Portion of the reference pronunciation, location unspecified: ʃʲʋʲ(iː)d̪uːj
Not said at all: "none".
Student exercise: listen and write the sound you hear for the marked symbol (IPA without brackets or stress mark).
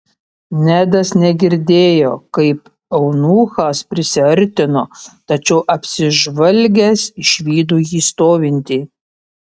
iː